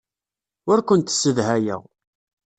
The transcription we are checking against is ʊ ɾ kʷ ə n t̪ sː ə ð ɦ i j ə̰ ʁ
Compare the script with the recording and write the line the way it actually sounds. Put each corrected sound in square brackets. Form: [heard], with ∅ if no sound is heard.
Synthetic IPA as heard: ʊ ɾ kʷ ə n t̪ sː ə ð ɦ [æ] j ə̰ ʁ